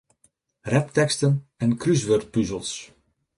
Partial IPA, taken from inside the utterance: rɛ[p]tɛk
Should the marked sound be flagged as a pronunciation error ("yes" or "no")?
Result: no